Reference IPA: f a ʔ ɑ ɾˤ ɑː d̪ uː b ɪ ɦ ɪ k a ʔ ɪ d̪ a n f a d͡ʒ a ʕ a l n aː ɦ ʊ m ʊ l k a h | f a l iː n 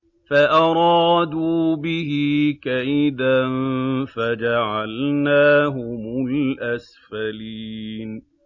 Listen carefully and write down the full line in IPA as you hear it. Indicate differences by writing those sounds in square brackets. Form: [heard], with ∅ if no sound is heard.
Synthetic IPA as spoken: f a ʔ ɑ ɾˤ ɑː d̪ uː b ɪ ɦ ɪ k a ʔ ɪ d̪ a n f a d͡ʒ a ʕ a l n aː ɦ ʊ m ʊ l [ʔ] a [s] | f a l iː n